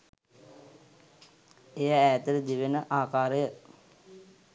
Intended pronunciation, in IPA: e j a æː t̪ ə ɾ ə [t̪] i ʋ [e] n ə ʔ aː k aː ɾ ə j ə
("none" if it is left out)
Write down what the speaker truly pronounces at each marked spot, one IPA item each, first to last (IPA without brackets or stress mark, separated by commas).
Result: d̪, e